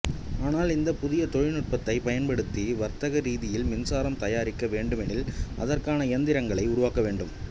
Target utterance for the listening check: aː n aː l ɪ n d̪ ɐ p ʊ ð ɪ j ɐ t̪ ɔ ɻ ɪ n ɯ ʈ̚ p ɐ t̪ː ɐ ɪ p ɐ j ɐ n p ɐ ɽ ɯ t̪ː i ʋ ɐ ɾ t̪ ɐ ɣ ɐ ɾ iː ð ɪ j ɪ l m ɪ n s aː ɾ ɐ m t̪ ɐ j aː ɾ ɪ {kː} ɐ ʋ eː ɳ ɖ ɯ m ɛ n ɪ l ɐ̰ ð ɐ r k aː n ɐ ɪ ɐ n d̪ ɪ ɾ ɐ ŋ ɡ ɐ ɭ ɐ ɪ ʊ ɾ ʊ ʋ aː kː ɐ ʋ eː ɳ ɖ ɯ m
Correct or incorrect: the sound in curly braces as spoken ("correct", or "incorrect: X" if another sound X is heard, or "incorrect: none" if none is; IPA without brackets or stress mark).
correct